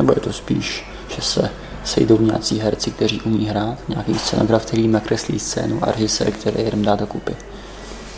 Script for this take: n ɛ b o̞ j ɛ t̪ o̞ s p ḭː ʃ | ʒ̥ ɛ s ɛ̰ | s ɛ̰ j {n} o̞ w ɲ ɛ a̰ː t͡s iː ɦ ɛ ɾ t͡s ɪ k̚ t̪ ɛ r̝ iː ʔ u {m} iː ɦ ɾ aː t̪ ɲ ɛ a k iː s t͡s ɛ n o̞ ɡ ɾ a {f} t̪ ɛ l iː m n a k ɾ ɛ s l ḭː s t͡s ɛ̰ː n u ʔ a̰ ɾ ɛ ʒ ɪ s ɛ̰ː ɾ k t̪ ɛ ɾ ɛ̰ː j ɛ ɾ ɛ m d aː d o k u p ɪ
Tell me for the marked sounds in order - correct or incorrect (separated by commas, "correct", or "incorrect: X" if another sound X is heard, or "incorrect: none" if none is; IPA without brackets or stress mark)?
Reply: incorrect: d, correct, correct